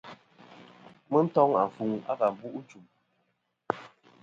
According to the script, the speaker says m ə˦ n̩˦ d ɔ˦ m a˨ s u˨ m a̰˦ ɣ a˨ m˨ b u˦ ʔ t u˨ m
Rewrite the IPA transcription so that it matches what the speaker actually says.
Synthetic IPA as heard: m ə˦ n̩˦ t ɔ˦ ŋ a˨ f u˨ ŋ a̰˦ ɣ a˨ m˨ b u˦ ʔ t͡ʃ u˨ m